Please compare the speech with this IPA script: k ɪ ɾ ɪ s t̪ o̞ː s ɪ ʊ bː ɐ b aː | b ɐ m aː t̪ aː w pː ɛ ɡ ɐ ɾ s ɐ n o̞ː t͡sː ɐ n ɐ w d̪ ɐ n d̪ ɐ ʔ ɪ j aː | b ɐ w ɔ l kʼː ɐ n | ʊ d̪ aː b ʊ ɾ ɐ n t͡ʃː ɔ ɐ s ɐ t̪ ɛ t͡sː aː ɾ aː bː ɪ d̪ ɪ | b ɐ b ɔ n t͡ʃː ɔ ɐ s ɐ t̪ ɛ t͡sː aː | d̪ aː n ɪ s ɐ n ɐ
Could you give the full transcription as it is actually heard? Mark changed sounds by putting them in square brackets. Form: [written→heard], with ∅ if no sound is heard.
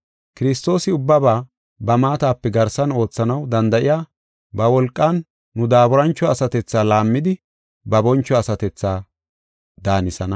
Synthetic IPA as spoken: k ɪ ɾ ɪ s t̪ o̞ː s ɪ ʊ bː ɐ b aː | b ɐ m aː t̪ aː [w→∅] pː ɛ ɡ ɐ ɾ s ɐ n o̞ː t͡sː ɐ n ɐ w d̪ ɐ n d̪ ɐ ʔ ɪ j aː | b ɐ w ɔ l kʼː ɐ [n→nː] | ʊ d̪ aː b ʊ ɾ ɐ n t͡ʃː ɔ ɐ s ɐ t̪ ɛ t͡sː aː [ɾ→l] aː [bː→mː] ɪ d̪ ɪ | b ɐ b ɔ n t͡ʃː ɔ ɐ s ɐ t̪ ɛ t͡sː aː | d̪ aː n ɪ s ɐ n ɐ

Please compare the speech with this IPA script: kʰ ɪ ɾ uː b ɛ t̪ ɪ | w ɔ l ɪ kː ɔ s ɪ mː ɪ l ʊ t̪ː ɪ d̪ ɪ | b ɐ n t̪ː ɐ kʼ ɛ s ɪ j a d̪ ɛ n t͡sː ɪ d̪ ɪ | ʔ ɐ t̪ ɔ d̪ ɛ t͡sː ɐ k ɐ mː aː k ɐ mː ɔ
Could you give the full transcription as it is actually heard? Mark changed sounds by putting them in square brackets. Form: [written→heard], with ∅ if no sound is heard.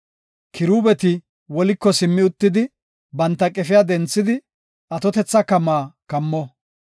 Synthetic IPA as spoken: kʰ ɪ ɾ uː b ɛ t̪ ɪ | w ɔ l ɪ kː ɔ s ɪ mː ɪ [l→∅] ʊ t̪ː ɪ d̪ ɪ | b ɐ n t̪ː ɐ kʼ ɛ [s→f] ɪ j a d̪ ɛ n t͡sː ɪ d̪ ɪ | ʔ ɐ t̪ ɔ [d̪→t̪] ɛ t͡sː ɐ k ɐ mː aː k ɐ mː ɔ

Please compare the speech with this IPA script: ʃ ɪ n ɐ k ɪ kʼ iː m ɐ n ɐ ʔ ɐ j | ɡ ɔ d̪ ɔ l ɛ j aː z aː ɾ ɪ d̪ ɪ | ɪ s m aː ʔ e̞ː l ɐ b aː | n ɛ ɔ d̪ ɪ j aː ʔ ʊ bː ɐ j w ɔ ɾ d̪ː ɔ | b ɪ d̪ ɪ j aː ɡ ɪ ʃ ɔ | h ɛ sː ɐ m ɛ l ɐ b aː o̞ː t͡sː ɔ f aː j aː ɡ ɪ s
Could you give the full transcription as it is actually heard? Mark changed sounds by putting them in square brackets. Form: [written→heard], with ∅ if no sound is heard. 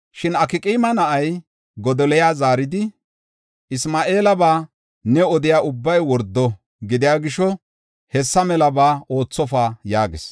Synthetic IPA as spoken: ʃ ɪ n ɐ k ɪ kʼ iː m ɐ n ɐ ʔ ɐ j | ɡ ɔ d̪ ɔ l ɛ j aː z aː ɾ ɪ d̪ ɪ | ɪ s m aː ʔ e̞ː l ɐ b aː | n ɛ ɔ d̪ ɪ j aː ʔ ʊ bː ɐ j w ɔ ɾ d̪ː ɔ | [b→ɡ] ɪ d̪ ɪ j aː ɡ ɪ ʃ ɔ | h ɛ sː ɐ m ɛ l ɐ b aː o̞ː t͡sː ɔ f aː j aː ɡ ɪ s

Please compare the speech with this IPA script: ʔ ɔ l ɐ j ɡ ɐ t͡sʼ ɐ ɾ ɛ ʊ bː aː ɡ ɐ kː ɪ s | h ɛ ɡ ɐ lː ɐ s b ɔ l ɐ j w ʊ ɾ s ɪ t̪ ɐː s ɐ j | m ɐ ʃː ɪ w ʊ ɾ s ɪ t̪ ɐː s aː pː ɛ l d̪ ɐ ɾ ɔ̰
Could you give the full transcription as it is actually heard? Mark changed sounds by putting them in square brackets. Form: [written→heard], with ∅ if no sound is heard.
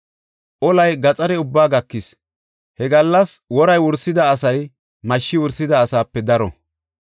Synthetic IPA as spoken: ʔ ɔ l ɐ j ɡ ɐ t͡sʼ ɐ ɾ ɛ ʊ bː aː ɡ ɐ kː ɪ s | h ɛ ɡ ɐ lː ɐ s [b→w] ɔ [l→ɾ] ɐ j w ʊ ɾ s ɪ [t̪→d̪] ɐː s ɐ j | m ɐ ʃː ɪ w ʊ ɾ s ɪ [t̪→d̪] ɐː s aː pː ɛ [l→∅] d̪ ɐ ɾ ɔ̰

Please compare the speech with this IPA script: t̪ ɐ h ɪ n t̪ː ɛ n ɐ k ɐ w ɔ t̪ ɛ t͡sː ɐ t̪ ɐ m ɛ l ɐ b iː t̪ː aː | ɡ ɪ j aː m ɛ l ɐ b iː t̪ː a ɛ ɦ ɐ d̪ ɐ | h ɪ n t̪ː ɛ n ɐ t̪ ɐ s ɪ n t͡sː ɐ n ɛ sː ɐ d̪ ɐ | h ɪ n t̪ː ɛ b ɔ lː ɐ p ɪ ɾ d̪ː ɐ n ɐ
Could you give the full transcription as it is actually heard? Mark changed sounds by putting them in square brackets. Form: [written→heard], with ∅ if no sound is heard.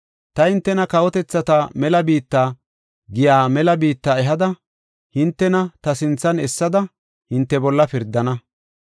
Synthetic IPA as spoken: t̪ ɐ h ɪ n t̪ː ɛ n ɐ k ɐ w ɔ t̪ ɛ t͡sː ɐ t̪ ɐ m ɛ l ɐ b iː t̪ː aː | ɡ ɪ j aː m ɛ l ɐ b iː t̪ː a ɛ ɦ ɐ d̪ ɐ | h ɪ n t̪ː ɛ n ɐ t̪ ɐ s ɪ n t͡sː ɐ n ɛ sː ɐ d̪ ɐ | h ɪ n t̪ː ɛ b ɔ lː ɐ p ɪ ɾ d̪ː ɐ n ɐ

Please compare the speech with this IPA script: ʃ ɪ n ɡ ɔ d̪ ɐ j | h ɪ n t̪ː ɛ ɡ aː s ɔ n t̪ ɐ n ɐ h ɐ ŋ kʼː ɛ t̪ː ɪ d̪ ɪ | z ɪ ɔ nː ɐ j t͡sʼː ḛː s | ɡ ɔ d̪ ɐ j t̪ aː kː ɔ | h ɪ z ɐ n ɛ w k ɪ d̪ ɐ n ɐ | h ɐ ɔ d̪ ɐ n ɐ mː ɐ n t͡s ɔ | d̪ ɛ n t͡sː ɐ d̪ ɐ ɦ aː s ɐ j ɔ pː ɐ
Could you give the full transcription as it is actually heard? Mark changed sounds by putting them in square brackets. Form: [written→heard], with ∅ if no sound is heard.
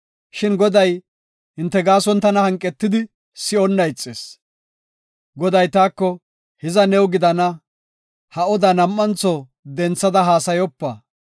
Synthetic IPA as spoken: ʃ ɪ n ɡ ɔ d̪ ɐ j | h ɪ n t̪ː ɛ ɡ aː s ɔ n t̪ ɐ n ɐ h ɐ ŋ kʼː ɛ t̪ː ɪ d̪ ɪ | [z→s] ɪ ɔ nː ɐ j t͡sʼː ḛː s | ɡ ɔ d̪ ɐ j t̪ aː kː ɔ | h ɪ z ɐ n ɛ w [k→ɡ] ɪ d̪ ɐ n ɐ | h ɐ ɔ d̪ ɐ n ɐ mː ɐ n t͡s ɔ | d̪ ɛ n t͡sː ɐ d̪ ɐ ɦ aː s ɐ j ɔ pː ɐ

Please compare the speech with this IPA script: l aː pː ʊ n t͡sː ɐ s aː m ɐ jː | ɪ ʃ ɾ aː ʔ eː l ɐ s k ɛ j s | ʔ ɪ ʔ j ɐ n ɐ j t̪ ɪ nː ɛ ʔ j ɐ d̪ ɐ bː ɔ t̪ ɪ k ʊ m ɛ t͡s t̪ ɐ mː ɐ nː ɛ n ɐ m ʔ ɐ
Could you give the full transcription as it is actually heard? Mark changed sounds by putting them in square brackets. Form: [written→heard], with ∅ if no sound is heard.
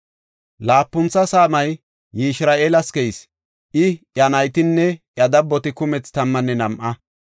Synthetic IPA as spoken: l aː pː ʊ n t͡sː ɐ s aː m ɐ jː | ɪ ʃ ɾ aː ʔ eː l ɐ s k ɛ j s | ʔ ɪ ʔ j ɐ n ɐ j t̪ ɪ nː ɛ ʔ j ɐ d̪ ɐ bː ɔ t̪ ɪ k ʊ m ɛ t͡s t̪ ɐ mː ɐ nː ɛ n ɐ m ʔ ɐ

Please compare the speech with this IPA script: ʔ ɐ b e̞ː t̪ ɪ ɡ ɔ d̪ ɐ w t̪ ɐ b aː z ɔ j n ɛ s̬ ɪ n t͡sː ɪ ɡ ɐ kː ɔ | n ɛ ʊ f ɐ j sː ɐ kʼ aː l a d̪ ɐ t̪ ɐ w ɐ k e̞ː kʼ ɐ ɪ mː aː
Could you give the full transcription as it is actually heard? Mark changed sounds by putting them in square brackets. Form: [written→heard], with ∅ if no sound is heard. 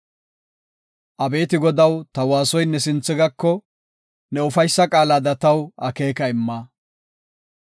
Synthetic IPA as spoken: ʔ ɐ b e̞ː t̪ ɪ ɡ ɔ d̪ ɐ w t̪ ɐ [b→w] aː [z→s] ɔ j n ɛ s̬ ɪ n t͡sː ɪ ɡ ɐ kː ɔ | n ɛ ʊ f ɐ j sː ɐ kʼ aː l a d̪ ɐ t̪ ɐ w ɐ k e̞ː [kʼ→k] ɐ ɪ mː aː

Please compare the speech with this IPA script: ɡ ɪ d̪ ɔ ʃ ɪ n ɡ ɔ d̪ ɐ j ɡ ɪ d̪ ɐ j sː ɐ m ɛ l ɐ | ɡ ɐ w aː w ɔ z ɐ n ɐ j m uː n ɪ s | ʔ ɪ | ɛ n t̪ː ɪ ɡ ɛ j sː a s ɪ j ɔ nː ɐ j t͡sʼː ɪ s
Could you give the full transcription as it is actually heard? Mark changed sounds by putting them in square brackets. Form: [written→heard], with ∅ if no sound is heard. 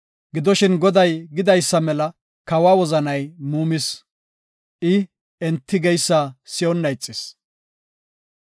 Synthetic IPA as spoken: ɡ ɪ d̪ ɔ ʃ ɪ n ɡ ɔ d̪ ɐ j ɡ ɪ d̪ ɐ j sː ɐ m ɛ l ɐ | [ɡ→k] ɐ w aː w ɔ z ɐ n ɐ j m uː [n→m] ɪ s | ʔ ɪ | ɛ n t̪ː ɪ ɡ ɛ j sː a s ɪ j ɔ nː ɐ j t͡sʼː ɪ s

